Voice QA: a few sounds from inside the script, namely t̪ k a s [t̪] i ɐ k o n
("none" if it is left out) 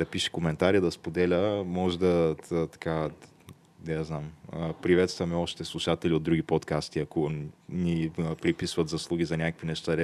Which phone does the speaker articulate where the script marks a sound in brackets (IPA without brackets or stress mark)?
t̪